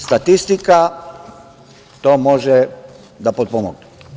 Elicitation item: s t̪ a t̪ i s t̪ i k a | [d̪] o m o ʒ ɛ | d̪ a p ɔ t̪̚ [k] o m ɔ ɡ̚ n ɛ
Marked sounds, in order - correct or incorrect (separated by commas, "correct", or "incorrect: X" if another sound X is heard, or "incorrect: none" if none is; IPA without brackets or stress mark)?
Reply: incorrect: t̪, incorrect: p